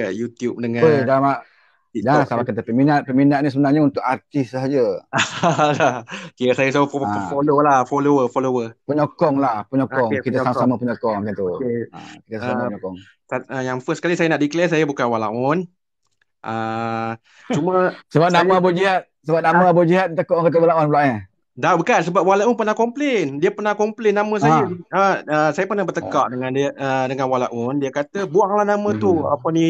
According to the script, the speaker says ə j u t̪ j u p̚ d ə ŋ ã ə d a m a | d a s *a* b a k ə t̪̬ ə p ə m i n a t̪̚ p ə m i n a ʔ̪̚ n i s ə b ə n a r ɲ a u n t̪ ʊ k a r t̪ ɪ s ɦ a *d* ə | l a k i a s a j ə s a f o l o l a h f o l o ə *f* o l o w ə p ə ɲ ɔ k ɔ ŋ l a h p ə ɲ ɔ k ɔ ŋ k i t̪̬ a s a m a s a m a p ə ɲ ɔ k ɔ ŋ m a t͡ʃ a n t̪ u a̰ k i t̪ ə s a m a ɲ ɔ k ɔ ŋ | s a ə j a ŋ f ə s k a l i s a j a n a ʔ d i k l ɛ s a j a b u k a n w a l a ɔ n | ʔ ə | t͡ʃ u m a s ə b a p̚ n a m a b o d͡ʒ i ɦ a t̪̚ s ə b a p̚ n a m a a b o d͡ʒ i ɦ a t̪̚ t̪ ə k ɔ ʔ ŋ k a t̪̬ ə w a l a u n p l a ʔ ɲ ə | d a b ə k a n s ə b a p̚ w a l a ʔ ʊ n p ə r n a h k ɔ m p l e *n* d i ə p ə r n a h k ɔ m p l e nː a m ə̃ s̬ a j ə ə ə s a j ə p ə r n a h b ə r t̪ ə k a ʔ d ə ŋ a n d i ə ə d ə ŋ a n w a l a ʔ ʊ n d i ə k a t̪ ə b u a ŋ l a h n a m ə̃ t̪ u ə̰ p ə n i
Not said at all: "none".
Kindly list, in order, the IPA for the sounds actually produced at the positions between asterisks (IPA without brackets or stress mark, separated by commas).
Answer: a, d͡ʒ, f, n